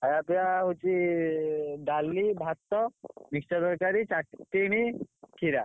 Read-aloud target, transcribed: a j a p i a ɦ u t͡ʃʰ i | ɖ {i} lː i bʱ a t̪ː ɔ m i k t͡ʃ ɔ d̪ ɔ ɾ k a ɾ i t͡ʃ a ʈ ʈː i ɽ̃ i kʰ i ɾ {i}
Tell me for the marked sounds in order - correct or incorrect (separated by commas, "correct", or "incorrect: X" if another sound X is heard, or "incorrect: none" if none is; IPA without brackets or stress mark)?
incorrect: a, incorrect: a